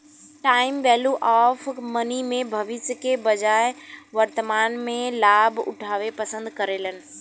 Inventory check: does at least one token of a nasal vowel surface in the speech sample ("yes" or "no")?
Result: yes